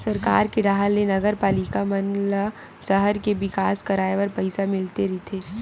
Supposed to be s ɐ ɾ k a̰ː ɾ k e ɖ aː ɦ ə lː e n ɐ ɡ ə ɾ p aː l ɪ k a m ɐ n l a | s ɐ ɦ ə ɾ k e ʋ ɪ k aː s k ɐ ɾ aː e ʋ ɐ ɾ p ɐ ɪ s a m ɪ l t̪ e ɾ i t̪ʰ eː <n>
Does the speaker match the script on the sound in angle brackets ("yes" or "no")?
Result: no